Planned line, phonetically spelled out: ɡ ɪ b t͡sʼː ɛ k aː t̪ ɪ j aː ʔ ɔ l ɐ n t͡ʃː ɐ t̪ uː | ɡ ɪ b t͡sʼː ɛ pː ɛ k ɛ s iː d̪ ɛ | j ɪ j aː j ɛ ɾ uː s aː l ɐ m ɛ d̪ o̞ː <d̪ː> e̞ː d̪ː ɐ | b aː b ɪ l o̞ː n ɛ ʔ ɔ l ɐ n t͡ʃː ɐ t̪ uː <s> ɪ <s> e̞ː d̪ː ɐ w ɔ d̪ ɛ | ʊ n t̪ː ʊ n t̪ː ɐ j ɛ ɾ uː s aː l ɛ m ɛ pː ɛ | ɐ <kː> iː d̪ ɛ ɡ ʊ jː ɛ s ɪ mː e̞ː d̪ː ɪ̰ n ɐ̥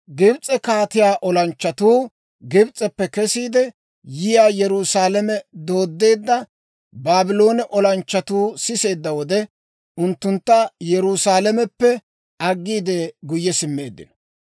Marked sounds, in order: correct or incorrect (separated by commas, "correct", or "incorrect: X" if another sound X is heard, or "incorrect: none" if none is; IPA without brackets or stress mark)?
correct, correct, correct, incorrect: ɡː